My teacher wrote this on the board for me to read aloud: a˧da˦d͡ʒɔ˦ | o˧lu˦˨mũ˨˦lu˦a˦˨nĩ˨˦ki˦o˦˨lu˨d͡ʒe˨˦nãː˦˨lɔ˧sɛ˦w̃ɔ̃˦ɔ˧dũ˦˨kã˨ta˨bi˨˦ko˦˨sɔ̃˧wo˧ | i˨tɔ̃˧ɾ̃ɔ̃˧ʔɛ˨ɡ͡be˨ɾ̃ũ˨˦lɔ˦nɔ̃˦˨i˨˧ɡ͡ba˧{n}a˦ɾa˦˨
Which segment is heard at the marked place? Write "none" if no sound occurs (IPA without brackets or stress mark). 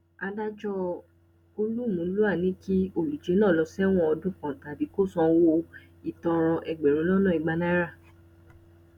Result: n